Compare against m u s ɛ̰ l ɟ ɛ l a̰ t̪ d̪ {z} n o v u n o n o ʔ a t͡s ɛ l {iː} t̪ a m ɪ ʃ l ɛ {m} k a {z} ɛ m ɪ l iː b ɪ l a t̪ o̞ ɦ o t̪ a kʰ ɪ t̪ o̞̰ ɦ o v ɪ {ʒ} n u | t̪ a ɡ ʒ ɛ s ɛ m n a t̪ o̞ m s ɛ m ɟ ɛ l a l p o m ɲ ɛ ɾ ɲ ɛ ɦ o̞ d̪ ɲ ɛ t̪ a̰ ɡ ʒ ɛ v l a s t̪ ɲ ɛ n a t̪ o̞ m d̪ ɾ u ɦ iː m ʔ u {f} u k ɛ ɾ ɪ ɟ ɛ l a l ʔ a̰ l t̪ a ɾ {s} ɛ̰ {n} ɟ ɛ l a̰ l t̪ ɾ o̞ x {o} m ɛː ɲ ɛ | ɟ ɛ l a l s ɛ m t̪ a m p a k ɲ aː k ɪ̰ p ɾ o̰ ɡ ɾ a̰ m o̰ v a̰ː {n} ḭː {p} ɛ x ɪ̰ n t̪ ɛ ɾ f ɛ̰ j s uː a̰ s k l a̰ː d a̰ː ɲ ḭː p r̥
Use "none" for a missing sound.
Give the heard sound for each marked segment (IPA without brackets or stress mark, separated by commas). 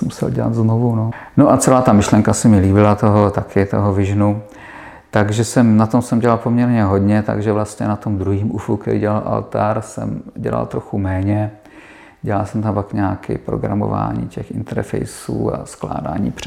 z, aː, ŋ, s, ʒ, f, s, m, u, ɲ, c